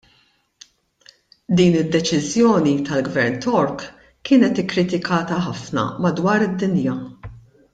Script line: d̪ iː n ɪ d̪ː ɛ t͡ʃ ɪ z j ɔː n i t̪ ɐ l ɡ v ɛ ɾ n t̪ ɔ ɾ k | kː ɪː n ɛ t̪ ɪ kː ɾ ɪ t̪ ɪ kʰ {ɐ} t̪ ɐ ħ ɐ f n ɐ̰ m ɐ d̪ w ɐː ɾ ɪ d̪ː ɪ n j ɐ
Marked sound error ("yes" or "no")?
yes